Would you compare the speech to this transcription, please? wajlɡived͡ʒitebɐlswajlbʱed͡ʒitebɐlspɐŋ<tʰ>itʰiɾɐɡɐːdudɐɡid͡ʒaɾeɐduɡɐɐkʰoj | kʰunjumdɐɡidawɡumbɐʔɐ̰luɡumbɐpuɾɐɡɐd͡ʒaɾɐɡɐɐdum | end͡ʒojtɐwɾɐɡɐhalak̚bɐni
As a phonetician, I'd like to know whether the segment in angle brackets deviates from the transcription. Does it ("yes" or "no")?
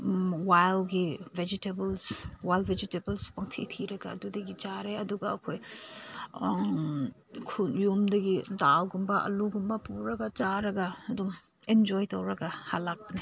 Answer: no